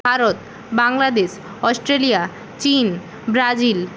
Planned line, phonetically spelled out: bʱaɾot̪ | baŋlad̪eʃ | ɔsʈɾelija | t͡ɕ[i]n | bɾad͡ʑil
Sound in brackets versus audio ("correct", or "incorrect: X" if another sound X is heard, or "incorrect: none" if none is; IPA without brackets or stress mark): correct